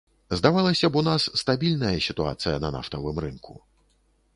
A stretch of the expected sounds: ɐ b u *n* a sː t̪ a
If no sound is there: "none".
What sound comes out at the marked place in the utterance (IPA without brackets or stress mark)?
n